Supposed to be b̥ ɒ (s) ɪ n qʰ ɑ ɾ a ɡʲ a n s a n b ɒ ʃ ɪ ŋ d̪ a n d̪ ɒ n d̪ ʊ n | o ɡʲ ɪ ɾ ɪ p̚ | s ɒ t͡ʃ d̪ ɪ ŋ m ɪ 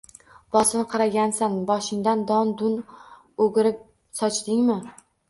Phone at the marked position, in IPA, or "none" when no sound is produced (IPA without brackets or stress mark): s